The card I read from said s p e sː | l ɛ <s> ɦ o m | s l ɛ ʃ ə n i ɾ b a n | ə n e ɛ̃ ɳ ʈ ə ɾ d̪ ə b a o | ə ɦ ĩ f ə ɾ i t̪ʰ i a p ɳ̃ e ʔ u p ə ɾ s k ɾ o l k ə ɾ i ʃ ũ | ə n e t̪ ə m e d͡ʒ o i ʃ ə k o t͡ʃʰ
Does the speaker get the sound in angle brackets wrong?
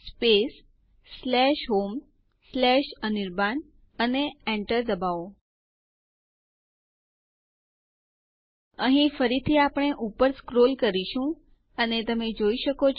yes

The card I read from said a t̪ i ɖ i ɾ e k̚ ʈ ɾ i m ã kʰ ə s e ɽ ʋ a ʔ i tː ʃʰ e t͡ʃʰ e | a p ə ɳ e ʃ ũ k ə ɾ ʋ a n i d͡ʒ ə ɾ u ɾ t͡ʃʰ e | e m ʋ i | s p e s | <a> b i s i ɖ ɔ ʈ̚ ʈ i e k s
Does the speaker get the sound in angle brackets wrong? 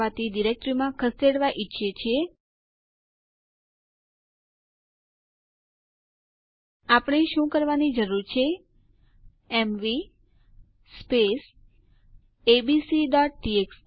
yes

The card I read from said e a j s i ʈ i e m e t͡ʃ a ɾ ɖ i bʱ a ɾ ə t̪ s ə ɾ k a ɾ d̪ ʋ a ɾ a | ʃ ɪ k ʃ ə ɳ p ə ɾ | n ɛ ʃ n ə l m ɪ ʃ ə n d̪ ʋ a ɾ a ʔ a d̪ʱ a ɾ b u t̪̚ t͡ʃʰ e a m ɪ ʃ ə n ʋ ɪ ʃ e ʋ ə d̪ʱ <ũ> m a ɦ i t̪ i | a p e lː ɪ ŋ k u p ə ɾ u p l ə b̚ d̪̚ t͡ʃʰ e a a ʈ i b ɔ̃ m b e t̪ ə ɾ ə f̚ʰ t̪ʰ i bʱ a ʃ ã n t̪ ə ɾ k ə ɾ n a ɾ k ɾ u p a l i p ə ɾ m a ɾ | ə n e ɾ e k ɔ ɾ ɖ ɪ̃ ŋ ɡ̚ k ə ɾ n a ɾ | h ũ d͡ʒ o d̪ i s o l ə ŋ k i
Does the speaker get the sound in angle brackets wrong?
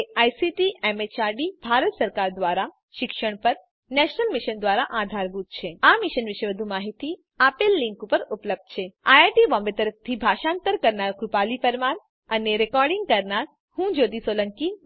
yes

